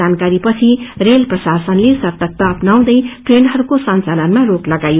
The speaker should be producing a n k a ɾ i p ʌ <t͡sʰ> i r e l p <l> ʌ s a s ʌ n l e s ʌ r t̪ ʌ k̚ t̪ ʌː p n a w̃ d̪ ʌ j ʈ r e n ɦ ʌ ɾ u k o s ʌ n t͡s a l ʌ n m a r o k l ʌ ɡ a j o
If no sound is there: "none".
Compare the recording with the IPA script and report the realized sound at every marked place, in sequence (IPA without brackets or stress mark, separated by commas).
t͡sʰ, r